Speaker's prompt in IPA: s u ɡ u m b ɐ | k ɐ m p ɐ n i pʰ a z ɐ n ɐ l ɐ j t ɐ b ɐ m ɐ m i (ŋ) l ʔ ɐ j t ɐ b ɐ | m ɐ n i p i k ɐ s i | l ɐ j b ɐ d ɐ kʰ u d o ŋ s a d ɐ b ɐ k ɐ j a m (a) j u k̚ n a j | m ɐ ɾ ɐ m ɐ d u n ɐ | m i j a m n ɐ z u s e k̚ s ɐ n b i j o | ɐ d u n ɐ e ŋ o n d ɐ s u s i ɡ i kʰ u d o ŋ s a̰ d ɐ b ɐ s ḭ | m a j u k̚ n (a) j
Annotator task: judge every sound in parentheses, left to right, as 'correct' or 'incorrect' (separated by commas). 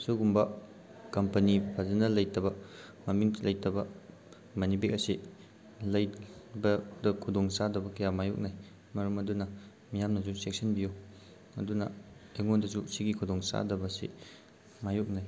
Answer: correct, correct, correct